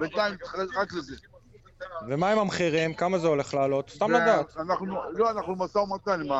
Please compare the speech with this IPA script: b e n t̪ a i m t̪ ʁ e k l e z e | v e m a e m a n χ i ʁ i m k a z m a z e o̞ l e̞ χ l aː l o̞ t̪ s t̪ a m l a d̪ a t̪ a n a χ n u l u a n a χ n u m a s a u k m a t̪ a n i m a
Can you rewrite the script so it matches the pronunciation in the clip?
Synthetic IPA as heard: b e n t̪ a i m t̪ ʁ a k l e z e | v e m a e m a m χ i ʁ i m k a m a z e o̞ l e̞ χ l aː l o̞ t̪ s t̪ a m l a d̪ a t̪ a n a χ n u l o a n a χ n u m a s a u m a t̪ a n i m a